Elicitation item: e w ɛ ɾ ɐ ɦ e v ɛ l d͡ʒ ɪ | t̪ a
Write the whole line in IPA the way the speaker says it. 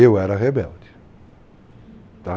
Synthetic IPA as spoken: e w ɛ ɾ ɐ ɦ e b ɛ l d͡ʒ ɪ | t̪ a